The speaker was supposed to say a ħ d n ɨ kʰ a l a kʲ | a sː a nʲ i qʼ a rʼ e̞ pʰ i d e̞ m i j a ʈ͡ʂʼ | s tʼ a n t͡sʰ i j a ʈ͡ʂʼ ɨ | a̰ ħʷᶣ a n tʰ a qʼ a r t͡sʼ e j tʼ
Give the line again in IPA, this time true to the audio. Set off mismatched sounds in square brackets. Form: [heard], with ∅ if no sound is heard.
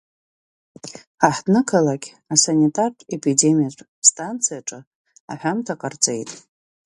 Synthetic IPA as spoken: a ħ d n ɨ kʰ a l a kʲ | a [s] a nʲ i [tʼ] a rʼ e̞ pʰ i d e̞ m i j a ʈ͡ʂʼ | s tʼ a n t͡sʰ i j a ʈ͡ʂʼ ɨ | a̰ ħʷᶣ a [m] tʰ a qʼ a r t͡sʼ e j tʼ